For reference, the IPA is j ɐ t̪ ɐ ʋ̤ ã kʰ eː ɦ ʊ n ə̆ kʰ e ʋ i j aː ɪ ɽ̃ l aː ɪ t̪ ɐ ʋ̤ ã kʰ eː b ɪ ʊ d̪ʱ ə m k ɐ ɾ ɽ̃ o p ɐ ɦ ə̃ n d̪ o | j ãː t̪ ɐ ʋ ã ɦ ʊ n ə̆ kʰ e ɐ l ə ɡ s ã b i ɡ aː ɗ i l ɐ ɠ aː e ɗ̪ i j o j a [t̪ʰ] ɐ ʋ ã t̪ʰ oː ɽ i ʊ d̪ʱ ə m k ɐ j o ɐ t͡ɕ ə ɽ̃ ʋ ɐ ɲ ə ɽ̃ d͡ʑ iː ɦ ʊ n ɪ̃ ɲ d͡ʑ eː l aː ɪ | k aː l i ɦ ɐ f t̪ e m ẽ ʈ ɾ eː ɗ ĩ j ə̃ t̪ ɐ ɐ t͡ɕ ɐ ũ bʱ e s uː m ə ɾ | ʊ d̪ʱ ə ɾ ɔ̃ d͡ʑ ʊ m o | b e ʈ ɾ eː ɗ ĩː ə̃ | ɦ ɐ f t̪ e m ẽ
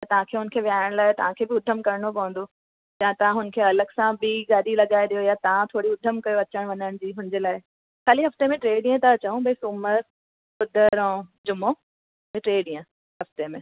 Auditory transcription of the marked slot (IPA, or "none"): t̪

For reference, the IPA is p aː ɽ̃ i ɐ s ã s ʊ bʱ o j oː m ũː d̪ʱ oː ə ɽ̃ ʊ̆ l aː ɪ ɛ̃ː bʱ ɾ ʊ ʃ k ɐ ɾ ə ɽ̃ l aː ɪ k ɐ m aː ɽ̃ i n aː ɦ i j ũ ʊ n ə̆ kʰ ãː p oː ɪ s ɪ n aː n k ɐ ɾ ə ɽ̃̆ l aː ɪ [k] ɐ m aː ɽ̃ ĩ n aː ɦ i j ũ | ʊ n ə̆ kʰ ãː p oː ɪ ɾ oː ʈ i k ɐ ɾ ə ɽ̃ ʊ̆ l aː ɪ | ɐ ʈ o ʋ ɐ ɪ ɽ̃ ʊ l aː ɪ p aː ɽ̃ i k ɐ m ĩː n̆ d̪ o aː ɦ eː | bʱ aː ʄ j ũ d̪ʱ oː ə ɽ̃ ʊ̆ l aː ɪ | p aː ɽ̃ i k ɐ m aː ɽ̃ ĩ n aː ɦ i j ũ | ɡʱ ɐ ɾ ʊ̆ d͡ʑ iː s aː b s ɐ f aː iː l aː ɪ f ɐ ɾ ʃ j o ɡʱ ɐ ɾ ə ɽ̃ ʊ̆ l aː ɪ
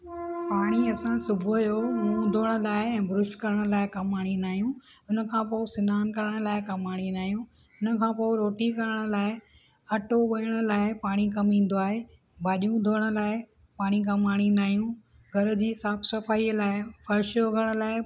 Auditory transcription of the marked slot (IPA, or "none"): k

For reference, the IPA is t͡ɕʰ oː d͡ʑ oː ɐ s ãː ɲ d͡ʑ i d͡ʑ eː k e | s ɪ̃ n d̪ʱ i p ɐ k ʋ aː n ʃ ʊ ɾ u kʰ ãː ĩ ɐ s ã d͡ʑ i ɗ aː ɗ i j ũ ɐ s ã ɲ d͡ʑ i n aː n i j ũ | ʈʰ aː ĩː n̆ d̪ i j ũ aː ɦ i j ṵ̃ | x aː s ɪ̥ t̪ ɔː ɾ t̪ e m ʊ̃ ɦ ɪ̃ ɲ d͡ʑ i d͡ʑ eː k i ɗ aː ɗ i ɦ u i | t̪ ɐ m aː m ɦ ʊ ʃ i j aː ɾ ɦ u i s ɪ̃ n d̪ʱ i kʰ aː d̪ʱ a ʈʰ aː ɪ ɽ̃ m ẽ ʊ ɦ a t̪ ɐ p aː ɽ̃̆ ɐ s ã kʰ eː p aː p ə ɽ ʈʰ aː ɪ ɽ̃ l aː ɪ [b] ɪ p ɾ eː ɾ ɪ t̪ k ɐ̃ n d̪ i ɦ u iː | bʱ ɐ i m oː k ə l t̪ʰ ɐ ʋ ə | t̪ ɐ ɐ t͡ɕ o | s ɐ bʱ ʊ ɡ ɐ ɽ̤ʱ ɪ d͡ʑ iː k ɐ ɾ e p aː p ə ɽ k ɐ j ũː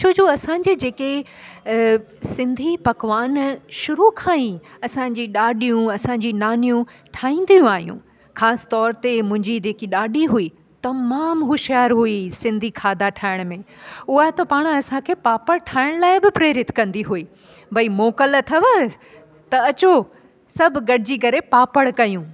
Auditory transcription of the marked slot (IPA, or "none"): b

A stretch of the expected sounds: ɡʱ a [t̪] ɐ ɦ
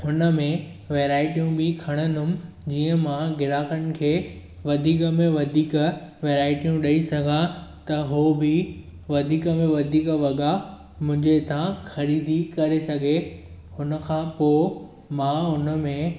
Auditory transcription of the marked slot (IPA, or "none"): t̪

